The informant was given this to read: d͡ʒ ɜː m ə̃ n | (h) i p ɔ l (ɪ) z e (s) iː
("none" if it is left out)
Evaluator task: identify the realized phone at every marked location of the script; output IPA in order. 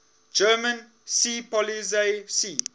s, i, s

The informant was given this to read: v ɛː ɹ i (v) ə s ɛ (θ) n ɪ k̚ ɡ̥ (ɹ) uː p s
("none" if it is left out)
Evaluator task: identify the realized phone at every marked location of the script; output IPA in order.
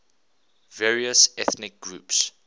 none, θ, ɹ

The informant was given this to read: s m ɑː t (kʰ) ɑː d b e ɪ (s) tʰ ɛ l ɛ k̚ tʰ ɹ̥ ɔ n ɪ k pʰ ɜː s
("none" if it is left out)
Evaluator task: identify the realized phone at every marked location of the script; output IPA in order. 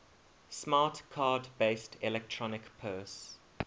kʰ, s

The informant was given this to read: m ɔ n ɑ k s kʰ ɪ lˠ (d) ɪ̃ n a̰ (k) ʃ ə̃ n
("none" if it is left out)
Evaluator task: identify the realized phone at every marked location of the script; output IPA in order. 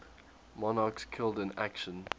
d, k

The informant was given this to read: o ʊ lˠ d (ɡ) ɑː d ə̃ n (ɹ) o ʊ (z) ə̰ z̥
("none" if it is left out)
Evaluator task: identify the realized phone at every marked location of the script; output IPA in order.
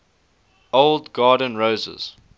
ɡ, ɹ, z

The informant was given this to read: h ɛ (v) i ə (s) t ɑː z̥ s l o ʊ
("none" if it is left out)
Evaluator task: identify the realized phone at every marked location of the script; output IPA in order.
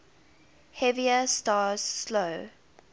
v, s

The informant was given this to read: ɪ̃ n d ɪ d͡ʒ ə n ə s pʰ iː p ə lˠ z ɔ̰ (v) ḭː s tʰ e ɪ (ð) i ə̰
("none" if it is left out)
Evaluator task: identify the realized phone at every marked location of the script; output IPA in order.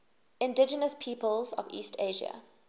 v, ʒ

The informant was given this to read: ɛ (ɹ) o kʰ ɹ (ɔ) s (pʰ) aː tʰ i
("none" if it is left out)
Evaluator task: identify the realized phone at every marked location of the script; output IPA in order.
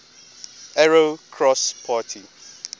ɹ, ɔ, pʰ

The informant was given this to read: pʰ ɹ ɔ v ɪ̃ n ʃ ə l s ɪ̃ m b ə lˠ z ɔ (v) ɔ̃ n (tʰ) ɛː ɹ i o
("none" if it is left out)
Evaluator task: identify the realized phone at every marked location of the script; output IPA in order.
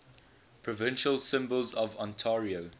v, tʰ

